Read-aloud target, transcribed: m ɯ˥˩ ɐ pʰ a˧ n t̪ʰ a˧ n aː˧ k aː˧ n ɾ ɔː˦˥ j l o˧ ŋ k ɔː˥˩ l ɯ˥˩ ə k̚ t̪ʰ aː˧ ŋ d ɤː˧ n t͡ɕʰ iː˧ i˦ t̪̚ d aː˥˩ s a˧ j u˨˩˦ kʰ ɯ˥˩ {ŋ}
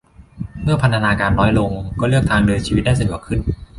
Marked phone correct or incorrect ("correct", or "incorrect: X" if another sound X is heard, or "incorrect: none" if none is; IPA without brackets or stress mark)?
incorrect: n